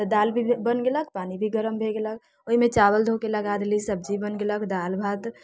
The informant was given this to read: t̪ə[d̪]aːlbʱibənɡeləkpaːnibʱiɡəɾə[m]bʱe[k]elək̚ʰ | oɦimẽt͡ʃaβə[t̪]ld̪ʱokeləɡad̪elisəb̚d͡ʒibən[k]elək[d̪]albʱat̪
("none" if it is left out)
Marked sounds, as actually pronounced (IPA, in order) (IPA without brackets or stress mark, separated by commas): d̪, m, ɡ, none, ɡ, d̪